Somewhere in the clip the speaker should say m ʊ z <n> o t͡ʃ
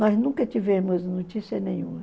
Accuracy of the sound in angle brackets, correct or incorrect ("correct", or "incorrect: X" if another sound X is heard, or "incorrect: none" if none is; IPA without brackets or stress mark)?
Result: correct